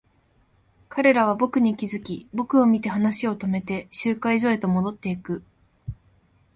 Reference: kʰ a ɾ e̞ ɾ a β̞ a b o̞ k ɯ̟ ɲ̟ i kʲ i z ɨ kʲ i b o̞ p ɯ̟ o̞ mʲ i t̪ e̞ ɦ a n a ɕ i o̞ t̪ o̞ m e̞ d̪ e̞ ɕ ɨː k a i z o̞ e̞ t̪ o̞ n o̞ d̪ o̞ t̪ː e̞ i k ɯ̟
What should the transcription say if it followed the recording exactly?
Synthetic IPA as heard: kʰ a ɾ e̞ ɾ a β̞ a b o̞ k ɯ̟ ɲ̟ i kʲ i z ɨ kʲ i b o̞ k ɯ̟ o̞ mʲ i t̪ e̞ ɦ a n a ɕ i o̞ t̪ o̞ m e̞ t̪ e̞ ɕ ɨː k a i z o̞ e̞ t̪ o̞ m o̞ d̪ o̞ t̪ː e̞ i k ɯ̟